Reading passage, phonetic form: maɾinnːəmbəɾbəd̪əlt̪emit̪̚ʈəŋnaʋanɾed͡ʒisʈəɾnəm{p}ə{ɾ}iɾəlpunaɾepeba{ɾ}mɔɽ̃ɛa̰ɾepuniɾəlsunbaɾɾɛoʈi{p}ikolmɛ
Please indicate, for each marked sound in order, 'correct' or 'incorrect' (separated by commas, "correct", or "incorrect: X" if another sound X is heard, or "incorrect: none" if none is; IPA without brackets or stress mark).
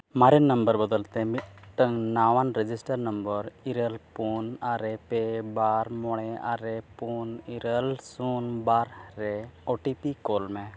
incorrect: b, correct, correct, correct